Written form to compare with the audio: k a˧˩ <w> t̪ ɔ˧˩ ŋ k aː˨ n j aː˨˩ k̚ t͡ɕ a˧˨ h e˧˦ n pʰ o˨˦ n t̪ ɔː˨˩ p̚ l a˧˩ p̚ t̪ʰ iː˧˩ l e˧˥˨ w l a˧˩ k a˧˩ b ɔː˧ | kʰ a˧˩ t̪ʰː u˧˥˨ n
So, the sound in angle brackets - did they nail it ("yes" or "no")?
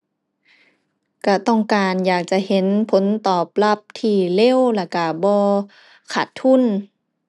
no